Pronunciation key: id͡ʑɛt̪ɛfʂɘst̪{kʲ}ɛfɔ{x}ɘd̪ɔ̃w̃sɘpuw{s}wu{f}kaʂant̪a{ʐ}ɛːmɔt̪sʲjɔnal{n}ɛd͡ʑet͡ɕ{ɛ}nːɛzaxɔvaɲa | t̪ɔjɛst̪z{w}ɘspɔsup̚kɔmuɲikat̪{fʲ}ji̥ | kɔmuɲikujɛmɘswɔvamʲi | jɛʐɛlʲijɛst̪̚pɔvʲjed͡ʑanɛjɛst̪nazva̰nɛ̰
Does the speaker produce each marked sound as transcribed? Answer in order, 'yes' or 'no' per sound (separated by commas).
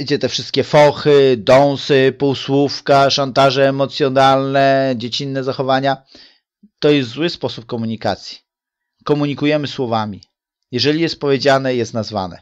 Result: yes, yes, yes, yes, yes, yes, no, yes, no